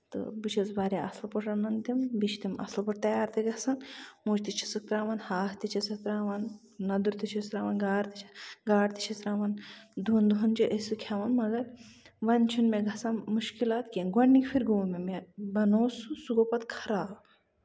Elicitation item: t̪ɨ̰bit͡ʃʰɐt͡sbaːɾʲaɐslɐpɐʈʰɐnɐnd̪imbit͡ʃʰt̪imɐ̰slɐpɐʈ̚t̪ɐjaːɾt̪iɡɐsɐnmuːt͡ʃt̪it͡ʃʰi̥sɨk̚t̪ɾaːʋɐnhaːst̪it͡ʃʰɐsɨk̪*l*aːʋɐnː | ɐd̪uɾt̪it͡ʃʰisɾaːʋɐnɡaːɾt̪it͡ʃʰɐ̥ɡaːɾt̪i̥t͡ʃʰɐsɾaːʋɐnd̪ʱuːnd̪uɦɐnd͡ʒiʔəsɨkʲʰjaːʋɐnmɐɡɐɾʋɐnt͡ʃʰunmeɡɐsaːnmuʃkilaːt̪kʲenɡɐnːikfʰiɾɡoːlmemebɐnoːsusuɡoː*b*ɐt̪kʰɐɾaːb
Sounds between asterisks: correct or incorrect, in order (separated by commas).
incorrect, incorrect